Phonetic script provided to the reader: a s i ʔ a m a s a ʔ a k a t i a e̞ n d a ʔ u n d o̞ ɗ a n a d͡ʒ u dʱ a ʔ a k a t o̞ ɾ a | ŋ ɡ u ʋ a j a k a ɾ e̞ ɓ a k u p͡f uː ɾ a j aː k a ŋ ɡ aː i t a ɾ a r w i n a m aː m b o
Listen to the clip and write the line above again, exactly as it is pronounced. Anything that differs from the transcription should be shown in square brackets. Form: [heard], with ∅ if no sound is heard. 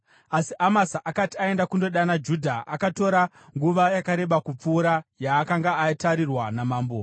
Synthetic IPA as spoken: a s i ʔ a m a s a ʔ a k a t i a e̞ n d a [k] u n d o̞ ɗ a n a d͡ʒ u dʱ a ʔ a k a t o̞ ɾ a | ŋ ɡ u ʋ a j a k a ɾ e̞ ɓ a k u p͡f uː ɾ a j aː k a ŋ ɡ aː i t a ɾ [i] r w [a] n a m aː m b o